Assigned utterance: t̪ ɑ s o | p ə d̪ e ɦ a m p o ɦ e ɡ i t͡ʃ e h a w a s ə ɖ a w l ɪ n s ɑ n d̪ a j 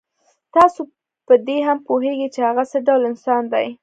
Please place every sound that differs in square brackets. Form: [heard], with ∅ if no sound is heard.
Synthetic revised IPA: t̪ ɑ s o | p ə d̪ e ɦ a m p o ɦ e ɡ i t͡ʃ e h a [ɣ] a s ə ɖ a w l ɪ n s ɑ n d̪ a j